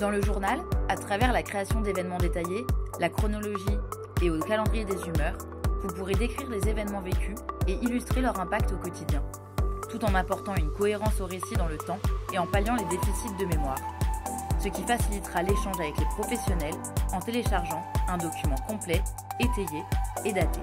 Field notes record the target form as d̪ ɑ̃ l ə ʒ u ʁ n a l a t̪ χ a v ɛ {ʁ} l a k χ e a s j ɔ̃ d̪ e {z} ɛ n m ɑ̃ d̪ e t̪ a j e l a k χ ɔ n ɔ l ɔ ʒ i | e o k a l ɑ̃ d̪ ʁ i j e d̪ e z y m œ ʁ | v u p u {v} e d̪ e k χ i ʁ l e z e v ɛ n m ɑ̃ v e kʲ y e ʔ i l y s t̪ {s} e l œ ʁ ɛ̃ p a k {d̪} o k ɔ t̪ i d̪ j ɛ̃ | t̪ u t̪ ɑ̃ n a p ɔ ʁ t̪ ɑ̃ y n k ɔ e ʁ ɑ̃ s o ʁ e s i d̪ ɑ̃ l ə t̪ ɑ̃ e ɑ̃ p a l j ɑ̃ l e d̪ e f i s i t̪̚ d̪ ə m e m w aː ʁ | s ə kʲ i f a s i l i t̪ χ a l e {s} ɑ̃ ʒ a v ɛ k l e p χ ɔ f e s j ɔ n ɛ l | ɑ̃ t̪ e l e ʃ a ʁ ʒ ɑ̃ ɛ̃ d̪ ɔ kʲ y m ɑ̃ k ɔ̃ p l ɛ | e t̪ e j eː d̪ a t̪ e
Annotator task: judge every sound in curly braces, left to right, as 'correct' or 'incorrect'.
correct, incorrect: v, incorrect: ʁ, incorrect: χ, incorrect: t̪, incorrect: ʃ

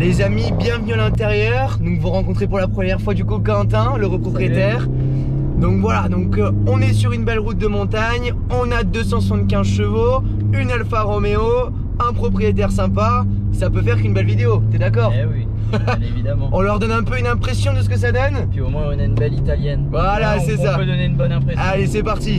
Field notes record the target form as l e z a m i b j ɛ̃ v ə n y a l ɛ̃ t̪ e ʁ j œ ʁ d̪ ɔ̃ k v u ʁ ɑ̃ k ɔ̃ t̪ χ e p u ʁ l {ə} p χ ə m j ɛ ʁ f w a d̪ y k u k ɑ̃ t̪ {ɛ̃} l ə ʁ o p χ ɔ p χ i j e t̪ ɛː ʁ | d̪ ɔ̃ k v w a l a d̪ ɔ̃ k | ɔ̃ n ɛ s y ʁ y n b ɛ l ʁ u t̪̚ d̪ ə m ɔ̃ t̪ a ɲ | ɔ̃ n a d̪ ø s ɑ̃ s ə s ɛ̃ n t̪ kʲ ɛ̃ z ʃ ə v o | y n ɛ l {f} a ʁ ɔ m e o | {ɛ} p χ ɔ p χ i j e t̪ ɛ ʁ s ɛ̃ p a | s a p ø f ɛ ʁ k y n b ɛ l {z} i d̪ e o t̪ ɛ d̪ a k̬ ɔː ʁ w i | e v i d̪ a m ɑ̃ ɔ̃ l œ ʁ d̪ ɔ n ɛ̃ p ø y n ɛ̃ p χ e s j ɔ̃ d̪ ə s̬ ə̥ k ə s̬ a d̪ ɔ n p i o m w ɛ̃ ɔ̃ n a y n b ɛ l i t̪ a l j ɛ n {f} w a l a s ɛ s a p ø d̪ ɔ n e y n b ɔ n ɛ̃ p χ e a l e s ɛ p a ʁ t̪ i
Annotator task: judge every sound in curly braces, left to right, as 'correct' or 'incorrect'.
incorrect: a, correct, correct, incorrect: ɛ̃, incorrect: v, incorrect: v

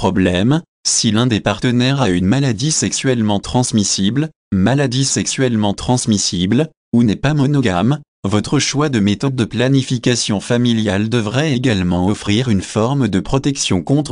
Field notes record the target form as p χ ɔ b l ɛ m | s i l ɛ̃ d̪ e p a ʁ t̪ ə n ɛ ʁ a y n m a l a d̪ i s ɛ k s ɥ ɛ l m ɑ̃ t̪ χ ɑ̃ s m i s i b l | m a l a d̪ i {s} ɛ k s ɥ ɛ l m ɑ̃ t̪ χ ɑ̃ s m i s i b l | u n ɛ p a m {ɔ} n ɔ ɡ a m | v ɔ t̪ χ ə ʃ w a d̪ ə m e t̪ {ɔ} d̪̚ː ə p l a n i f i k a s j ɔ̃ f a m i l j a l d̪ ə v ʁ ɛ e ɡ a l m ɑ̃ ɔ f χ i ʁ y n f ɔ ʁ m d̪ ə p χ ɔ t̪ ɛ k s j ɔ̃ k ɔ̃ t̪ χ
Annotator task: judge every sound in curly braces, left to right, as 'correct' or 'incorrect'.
correct, correct, correct

